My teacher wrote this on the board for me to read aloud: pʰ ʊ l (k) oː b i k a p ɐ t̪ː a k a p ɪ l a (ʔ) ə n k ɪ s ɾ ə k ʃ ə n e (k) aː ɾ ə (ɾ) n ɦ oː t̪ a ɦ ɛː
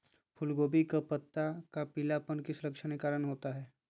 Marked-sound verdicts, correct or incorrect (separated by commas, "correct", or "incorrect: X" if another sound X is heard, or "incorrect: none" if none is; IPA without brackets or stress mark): incorrect: ɡ, incorrect: p, correct, incorrect: none